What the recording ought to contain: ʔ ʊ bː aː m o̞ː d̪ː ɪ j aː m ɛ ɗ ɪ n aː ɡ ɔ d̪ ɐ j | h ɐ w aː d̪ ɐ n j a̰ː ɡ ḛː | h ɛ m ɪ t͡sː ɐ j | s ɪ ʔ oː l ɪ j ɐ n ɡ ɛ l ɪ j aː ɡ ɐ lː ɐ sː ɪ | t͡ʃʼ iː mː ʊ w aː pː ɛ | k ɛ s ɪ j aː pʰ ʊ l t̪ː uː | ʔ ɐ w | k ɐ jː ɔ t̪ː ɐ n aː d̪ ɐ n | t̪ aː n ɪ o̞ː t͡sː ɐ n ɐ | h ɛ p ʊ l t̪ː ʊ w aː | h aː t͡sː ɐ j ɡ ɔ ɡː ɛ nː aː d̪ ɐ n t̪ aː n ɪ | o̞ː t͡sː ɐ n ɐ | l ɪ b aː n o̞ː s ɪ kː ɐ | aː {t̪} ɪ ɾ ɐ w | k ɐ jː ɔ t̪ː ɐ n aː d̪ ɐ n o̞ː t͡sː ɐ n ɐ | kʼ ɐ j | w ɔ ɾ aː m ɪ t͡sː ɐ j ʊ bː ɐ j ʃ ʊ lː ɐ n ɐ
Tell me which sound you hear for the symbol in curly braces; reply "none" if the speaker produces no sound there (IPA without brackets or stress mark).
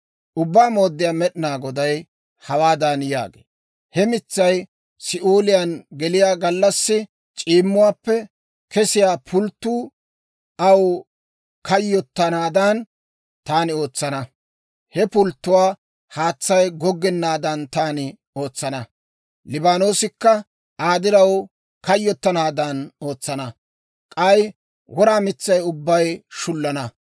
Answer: d̪